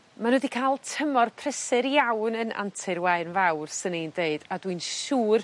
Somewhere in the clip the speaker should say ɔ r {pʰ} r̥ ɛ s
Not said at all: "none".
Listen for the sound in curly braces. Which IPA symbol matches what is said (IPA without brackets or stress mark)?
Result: pʰ